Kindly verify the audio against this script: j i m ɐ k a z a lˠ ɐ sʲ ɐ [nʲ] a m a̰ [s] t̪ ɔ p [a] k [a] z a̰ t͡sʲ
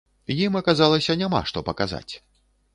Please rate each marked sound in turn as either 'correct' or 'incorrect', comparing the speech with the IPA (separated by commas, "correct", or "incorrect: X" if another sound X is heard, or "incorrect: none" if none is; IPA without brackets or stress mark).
correct, incorrect: ʂ, incorrect: ɐ, correct